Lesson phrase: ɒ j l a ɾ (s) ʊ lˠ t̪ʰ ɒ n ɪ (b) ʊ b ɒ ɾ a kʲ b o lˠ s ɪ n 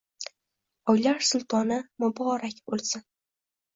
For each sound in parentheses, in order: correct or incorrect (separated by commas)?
correct, incorrect